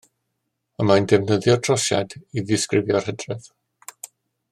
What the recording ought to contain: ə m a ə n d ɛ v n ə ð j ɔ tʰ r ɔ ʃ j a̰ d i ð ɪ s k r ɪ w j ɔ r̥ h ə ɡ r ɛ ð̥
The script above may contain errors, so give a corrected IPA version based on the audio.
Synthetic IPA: ə m a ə n d ɛ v n ə ð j ɔ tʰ r ɔ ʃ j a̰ d i ð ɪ s k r ɪ v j ɔ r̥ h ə d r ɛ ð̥